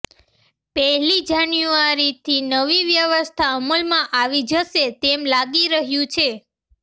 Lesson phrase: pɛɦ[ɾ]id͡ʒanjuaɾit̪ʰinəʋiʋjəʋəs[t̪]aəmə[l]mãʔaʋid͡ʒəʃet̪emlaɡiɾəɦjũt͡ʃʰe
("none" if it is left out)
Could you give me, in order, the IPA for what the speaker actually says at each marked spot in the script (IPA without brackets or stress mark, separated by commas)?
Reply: l, t̪ʰ, l